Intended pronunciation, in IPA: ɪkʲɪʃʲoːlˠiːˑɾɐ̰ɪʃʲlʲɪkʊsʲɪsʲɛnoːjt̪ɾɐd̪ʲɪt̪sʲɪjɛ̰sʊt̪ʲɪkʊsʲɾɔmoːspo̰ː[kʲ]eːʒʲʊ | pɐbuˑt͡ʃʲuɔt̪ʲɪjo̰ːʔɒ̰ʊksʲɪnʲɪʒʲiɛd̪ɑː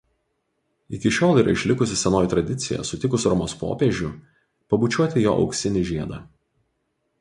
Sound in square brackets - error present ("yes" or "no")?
yes